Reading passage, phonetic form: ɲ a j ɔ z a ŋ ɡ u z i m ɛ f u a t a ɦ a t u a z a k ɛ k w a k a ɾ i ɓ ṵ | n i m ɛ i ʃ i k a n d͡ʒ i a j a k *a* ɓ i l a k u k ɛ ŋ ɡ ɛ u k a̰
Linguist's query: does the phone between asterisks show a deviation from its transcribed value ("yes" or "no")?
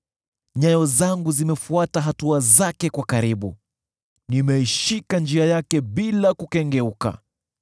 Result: yes